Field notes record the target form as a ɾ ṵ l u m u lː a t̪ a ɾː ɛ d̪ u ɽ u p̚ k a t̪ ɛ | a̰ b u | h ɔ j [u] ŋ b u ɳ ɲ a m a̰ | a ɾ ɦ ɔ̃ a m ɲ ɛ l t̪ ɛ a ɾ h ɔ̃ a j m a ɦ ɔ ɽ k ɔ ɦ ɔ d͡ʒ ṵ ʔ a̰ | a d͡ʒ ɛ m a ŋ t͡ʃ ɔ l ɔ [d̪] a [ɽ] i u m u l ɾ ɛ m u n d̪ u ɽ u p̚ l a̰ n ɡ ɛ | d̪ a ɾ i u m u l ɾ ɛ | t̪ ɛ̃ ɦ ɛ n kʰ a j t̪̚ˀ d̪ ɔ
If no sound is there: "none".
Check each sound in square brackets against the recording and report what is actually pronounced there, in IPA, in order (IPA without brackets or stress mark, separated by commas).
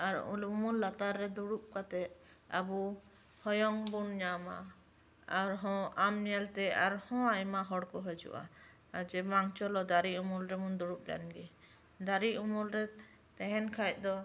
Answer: ɔ, d̪, ɾ